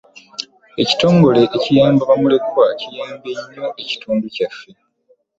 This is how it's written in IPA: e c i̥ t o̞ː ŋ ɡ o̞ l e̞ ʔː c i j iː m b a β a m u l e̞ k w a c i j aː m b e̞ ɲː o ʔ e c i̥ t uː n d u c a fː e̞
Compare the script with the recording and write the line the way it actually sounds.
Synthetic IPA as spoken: e c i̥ t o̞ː ŋ ɡ o̞ l e̞ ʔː c i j aː m b a β a m u l e̞ k w a c i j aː m b e̞ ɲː o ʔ e c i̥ t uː n d u c a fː e̞